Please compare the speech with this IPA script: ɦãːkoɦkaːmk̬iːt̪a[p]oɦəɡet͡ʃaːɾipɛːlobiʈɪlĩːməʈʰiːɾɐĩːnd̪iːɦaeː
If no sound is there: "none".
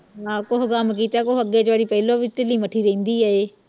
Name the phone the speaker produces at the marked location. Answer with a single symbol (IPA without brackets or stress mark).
k